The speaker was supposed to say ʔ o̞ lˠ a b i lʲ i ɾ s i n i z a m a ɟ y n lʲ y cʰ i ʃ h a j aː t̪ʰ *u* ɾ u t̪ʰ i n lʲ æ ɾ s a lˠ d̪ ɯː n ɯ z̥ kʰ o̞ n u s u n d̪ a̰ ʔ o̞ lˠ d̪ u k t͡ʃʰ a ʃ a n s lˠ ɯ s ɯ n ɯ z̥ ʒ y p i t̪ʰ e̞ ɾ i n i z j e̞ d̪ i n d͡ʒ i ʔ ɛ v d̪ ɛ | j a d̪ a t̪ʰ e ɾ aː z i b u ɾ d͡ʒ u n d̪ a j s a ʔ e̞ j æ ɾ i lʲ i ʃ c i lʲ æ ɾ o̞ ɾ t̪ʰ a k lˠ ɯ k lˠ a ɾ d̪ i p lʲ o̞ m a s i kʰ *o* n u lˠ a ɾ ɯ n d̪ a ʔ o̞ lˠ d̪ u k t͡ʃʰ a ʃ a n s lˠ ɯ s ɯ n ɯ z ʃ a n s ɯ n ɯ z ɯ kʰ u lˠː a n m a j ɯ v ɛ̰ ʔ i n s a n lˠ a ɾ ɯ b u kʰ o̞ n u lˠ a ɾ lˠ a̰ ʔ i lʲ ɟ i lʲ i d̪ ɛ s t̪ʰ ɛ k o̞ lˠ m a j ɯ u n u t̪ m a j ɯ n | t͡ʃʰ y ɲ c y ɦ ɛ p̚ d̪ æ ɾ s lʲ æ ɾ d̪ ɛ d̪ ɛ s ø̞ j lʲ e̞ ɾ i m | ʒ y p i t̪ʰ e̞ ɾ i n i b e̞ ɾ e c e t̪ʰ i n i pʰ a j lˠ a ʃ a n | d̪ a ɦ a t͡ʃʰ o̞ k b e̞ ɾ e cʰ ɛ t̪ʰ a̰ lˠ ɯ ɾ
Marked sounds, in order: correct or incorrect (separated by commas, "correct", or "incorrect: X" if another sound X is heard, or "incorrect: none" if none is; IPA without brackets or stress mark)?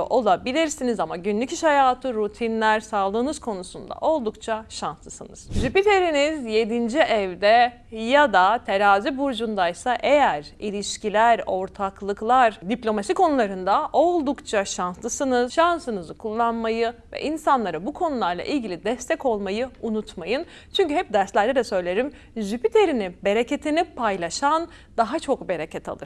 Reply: incorrect: ɯ, correct